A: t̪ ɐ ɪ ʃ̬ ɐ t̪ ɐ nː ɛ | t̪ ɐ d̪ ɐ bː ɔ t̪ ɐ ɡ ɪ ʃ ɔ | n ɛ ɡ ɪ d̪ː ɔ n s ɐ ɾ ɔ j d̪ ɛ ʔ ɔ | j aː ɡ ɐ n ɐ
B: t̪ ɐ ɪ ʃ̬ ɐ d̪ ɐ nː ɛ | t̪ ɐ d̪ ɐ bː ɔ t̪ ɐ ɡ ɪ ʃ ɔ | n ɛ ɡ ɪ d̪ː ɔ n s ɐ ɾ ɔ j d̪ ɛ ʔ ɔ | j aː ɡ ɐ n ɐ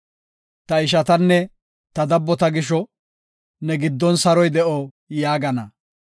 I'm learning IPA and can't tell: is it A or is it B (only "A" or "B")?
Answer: A